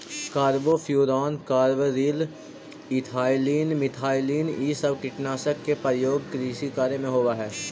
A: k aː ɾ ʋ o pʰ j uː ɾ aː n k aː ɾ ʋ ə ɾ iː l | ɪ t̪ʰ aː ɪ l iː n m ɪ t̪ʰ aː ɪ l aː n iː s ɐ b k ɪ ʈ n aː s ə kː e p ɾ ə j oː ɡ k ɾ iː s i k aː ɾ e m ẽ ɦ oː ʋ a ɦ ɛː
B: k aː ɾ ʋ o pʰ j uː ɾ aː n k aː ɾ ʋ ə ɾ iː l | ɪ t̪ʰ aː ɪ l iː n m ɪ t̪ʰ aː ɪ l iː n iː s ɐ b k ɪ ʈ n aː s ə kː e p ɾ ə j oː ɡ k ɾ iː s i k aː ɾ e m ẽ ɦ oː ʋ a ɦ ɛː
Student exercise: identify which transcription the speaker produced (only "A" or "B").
B